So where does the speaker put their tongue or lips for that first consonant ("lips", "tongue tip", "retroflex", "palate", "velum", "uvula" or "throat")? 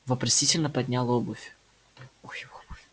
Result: lips